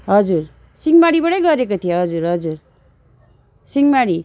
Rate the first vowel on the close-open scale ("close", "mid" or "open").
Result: mid